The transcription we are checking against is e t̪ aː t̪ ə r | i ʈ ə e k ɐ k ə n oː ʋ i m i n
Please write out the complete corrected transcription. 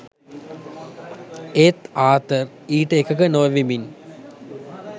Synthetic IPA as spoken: e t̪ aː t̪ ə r | iː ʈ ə e k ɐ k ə n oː ʋ i m i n

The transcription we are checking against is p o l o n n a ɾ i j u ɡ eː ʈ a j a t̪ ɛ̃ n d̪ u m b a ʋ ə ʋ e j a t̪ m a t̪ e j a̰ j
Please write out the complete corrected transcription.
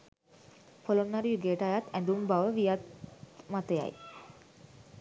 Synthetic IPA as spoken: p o l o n n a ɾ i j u ɡ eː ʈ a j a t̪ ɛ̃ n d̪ u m b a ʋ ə ʋ i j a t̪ m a t̪ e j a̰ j

